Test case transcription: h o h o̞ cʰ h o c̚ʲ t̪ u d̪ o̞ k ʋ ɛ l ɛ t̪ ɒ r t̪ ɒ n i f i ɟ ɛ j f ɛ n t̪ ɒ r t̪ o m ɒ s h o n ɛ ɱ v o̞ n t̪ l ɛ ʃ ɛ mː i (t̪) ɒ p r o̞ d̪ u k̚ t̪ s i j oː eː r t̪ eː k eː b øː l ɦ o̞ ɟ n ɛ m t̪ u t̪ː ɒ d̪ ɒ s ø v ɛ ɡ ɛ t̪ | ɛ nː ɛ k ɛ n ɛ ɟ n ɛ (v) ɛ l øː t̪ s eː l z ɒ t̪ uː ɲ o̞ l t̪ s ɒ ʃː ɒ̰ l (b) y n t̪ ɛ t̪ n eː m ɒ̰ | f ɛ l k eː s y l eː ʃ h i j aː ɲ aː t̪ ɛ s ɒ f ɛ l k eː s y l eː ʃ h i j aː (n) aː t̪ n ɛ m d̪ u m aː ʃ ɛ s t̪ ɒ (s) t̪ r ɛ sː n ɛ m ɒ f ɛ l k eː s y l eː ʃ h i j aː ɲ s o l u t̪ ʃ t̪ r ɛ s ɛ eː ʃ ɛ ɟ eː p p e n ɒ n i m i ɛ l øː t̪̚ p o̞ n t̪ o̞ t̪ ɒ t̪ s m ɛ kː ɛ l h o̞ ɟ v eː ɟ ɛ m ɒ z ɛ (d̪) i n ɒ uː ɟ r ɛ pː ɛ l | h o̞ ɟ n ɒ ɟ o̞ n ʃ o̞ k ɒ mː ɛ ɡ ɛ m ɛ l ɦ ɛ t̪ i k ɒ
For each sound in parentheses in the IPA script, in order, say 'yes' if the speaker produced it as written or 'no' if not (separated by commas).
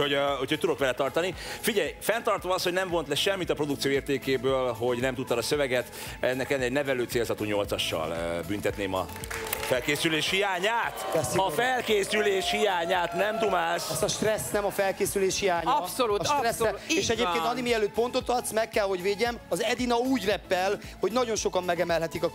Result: yes, yes, yes, no, no, yes